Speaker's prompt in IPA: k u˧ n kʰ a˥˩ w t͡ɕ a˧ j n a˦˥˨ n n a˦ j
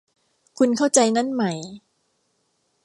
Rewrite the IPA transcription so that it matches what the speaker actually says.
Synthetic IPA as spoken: kʰ u˧ n kʰ a˥˩ w t͡ɕ a˧ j n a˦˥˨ n m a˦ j